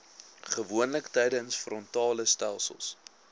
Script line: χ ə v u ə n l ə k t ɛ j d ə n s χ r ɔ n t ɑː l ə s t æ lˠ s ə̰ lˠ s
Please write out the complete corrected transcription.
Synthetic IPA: χ ə v u ə n l ə k t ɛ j d ə n s f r ɔ n t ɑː l ə s t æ lˠ s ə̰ lˠ s